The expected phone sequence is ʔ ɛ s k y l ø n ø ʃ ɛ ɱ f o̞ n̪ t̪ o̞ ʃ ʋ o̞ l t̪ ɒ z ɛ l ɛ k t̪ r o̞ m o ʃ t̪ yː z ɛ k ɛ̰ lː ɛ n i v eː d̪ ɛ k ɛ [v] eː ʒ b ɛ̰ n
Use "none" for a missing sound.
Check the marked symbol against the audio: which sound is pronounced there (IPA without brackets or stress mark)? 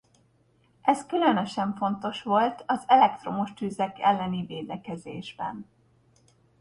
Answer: z